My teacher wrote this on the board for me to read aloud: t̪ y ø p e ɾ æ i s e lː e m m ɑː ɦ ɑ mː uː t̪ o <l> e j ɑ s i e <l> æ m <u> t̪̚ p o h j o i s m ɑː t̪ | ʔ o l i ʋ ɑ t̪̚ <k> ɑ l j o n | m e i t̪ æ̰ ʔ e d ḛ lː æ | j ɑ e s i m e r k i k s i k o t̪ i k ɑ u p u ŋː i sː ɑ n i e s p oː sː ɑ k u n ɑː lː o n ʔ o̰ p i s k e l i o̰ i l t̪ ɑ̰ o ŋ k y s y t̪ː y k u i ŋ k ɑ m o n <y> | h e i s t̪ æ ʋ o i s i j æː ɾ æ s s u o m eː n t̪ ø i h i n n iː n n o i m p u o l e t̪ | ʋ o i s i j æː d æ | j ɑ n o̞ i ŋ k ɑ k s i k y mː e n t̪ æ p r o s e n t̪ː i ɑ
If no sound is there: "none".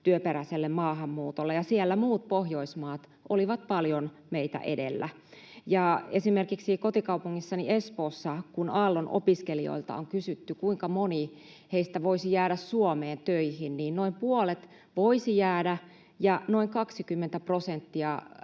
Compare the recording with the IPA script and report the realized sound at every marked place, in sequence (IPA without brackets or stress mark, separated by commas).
lː, lː, uː, p, i